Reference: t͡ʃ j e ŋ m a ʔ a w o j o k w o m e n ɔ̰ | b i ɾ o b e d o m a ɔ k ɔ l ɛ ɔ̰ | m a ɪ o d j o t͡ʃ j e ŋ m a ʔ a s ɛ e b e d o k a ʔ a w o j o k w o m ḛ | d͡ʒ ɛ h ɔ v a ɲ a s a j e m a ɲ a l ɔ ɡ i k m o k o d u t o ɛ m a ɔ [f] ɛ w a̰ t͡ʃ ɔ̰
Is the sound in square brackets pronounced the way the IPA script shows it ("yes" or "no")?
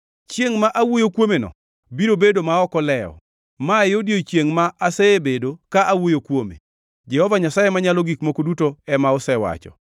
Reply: no